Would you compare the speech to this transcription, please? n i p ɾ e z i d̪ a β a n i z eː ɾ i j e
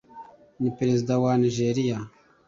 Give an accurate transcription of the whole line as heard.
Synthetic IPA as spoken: n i p ɾ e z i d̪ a w a n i ʒ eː ɾ i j a